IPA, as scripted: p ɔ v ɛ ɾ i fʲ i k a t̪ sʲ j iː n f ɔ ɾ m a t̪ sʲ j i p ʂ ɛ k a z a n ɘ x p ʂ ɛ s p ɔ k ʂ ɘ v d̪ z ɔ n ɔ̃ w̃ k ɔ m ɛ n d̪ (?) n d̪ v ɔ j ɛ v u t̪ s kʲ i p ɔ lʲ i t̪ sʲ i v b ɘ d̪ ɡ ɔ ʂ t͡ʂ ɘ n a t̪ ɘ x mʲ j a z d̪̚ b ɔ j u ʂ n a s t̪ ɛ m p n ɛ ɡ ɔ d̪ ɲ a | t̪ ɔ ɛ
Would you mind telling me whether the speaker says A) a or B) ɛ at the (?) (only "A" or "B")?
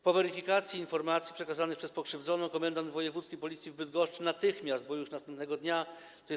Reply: A